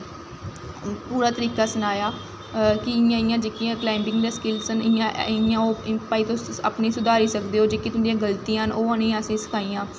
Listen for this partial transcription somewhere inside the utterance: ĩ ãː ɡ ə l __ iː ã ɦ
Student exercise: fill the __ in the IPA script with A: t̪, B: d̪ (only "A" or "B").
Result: A